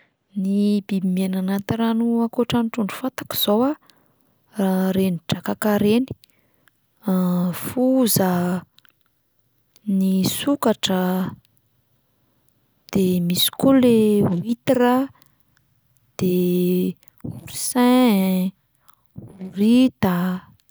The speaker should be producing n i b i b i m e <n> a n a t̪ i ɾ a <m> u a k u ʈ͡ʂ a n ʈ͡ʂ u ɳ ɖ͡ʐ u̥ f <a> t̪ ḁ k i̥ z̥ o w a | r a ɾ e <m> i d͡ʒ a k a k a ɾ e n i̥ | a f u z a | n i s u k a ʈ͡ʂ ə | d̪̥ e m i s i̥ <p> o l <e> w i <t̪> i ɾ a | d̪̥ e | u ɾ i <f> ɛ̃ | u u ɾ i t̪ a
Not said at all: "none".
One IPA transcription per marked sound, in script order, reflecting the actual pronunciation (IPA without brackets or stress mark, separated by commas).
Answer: n, n, a, n, k, e, t̪, s